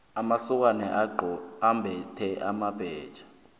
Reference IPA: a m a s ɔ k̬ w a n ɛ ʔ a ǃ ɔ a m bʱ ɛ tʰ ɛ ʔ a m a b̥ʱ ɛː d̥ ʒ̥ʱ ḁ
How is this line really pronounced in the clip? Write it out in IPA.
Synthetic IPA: a m a s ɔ k̬ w a n ɛ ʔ a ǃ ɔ a m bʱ ɛ tʰ ɛ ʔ a m a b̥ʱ ɛː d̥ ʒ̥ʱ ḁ